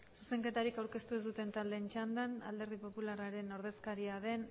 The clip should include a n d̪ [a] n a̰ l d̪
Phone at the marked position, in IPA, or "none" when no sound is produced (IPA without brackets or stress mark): a